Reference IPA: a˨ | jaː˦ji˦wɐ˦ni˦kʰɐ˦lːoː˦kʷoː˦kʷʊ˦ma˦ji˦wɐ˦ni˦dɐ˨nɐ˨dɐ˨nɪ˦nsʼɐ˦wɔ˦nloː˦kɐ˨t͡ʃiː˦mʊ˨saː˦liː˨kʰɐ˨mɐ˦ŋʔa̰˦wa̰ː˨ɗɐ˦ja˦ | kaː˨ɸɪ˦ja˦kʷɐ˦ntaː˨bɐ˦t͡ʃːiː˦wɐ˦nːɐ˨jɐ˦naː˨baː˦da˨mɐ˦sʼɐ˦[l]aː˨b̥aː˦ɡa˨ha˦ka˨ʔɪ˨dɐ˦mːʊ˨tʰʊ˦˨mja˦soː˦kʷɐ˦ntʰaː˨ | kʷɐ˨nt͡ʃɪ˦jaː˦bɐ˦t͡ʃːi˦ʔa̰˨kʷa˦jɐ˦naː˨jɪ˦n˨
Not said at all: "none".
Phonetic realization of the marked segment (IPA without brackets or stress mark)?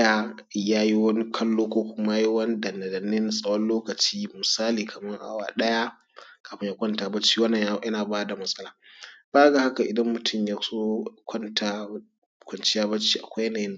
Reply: l